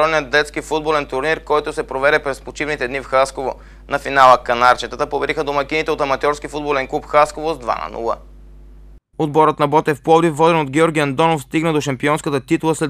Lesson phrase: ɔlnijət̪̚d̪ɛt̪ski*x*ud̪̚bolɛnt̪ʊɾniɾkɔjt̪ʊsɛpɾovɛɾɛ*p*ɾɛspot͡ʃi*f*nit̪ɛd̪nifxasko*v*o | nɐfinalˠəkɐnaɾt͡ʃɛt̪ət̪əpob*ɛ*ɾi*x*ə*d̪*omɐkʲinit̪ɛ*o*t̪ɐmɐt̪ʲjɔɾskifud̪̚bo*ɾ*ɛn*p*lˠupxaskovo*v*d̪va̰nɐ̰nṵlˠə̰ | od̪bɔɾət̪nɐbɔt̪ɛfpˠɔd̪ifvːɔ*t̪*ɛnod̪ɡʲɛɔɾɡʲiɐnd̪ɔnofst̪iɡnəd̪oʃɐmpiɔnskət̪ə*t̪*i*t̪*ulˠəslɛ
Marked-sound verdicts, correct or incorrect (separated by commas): incorrect, correct, incorrect, correct, correct, correct, correct, correct, incorrect, incorrect, incorrect, incorrect, correct, correct